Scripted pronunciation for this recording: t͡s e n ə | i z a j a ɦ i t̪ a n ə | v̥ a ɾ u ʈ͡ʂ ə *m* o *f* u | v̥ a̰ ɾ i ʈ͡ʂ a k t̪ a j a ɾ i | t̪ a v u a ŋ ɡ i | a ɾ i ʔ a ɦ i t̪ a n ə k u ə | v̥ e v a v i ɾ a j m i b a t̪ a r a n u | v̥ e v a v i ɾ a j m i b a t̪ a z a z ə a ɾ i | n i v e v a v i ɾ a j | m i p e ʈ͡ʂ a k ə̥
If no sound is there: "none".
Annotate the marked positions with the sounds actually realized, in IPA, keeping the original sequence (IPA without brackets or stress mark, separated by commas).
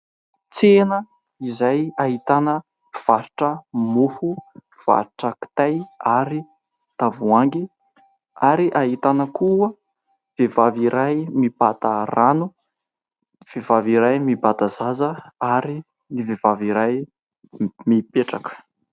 m, f